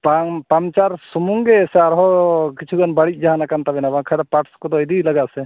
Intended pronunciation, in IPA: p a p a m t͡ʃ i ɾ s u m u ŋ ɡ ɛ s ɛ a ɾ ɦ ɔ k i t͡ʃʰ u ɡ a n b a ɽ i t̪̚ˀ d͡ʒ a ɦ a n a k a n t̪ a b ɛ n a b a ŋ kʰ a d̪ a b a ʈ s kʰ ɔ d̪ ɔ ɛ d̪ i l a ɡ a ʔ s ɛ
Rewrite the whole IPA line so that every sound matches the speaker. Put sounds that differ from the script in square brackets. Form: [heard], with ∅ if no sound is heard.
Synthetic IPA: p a p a m t͡ʃ [a] ɾ s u m u ŋ ɡ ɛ s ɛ a ɾ ɦ ɔ k i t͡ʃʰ u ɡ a n b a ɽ i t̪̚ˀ d͡ʒ a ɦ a n a k a n t̪ a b ɛ n a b a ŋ kʰ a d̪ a [p] a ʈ s [k] ɔ d̪ ɔ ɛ d̪ i l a ɡ a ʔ s ɛ